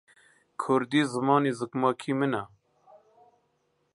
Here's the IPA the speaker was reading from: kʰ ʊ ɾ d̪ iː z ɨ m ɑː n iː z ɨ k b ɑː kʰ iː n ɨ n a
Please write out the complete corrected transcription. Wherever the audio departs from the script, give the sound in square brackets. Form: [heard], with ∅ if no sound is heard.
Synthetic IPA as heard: kʰ ʊ ɾ d̪ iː z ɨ m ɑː n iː z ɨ k [m] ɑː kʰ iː [m] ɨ n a